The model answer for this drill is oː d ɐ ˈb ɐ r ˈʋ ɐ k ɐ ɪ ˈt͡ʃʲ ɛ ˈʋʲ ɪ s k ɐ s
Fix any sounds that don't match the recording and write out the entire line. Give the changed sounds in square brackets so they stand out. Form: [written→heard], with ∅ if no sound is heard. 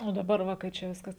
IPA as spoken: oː d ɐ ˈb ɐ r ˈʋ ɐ k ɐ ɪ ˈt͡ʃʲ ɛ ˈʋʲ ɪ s k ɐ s